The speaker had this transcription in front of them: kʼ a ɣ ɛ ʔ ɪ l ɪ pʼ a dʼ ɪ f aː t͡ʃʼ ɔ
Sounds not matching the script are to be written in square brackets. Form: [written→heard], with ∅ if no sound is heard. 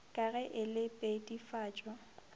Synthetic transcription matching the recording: kʼ a ɣ ɛ ʔ ɪ l ɪ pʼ [a→e] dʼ [ɪ→i] f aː t͡ʃʼ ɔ